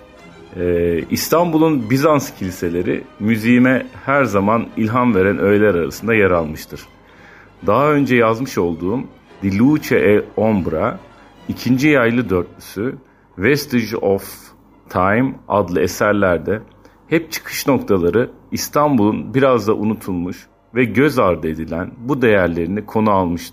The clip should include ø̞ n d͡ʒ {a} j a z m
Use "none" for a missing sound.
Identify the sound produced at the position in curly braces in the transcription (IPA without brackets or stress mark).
ɛ